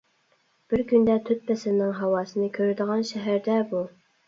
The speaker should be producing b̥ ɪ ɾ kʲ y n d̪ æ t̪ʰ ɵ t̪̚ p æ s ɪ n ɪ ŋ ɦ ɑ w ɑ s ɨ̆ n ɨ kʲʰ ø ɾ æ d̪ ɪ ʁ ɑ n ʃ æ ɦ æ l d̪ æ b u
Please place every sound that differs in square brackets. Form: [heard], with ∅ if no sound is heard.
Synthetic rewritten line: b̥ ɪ ɾ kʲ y n d̪ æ t̪ʰ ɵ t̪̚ p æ s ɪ n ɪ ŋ ɦ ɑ w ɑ s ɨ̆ n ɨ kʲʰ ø ɾ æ d̪ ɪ ʁ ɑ n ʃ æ ɦ æ [ɾ] d̪ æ b u